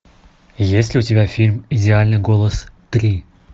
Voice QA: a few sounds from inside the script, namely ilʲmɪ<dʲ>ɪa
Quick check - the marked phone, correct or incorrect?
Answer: correct